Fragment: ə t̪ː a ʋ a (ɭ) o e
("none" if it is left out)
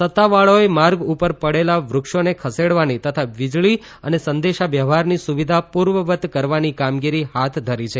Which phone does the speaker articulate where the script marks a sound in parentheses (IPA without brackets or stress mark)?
ɭ